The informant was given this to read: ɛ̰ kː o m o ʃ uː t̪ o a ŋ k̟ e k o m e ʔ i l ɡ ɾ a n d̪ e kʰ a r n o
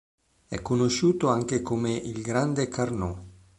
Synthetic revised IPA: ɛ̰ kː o n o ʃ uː t̪ o a ŋ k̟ e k o m e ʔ i l ɡ ɾ a n d̪ e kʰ a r n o